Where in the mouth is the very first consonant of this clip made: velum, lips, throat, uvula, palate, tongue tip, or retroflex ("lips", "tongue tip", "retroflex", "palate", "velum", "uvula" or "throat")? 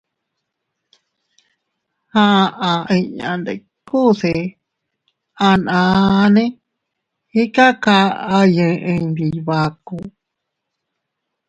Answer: throat